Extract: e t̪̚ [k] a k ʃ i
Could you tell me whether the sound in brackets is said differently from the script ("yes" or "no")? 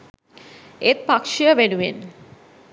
yes